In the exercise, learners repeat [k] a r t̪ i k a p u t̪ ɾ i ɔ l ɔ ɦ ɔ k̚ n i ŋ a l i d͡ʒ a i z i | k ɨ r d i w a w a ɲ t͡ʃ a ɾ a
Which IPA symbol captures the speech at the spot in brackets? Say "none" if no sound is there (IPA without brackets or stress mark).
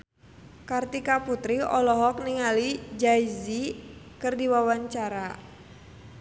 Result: k